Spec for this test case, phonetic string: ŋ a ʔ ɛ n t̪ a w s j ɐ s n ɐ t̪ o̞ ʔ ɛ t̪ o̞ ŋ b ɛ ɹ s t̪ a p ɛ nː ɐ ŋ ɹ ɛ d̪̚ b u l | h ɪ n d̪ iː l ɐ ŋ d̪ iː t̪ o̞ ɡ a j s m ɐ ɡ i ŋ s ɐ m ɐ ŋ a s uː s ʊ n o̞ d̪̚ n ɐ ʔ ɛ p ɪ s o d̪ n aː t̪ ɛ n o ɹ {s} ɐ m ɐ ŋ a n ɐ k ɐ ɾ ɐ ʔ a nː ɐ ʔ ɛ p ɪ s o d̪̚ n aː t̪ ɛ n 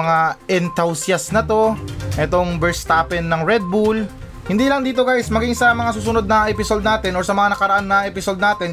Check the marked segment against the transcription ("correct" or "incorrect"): correct